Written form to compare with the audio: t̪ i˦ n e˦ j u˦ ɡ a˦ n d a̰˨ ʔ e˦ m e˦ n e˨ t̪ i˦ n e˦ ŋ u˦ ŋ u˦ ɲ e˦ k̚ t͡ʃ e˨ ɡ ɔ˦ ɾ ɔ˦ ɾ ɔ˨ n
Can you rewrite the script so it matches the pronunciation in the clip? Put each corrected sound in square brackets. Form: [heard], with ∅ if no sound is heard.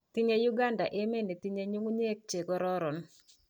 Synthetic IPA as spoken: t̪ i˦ [ɲ] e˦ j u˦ ɡ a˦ n d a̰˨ ʔ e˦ m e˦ n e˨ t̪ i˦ [ɲ] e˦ [ɲ] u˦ ŋ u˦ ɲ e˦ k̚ t͡ʃ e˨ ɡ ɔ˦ ɾ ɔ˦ ɾ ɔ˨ n